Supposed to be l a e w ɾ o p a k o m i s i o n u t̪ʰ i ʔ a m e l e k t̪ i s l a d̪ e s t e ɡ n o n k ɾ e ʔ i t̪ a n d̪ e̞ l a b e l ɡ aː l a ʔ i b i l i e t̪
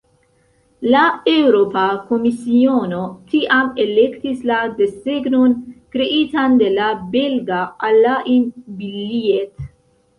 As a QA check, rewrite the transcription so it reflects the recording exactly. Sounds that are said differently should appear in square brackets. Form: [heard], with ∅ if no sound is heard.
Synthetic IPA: l a e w ɾ o p a k o m i s i o n [o] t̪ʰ i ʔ a m e l e k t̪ i s l a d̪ e s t e ɡ n o n k ɾ e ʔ i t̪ a n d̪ e̞ l a b e l ɡ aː l a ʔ i b i l i e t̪